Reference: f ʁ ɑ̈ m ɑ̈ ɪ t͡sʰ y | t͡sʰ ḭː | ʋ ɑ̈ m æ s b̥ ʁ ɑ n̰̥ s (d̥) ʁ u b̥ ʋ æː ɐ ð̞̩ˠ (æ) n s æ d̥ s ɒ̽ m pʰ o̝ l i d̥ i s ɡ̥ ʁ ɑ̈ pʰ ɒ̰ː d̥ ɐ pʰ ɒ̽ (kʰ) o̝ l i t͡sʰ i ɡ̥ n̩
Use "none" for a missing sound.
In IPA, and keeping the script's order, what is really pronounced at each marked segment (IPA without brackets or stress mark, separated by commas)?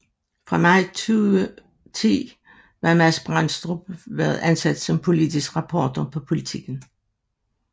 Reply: d̥, æ, pʰ